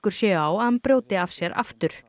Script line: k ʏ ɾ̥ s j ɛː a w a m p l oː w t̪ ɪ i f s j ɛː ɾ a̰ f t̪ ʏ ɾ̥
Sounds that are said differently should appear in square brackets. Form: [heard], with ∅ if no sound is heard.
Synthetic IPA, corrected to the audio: k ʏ ɾ̥ s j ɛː a w a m p [ɾ] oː w t̪ ɪ [a] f s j [ɛ] ɾ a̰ f t̪ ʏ ɾ̥